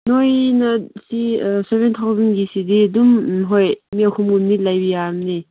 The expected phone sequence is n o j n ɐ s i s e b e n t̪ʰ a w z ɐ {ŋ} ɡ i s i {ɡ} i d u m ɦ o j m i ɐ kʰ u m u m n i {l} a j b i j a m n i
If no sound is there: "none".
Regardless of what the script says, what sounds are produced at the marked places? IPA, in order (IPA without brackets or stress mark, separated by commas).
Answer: n, d, l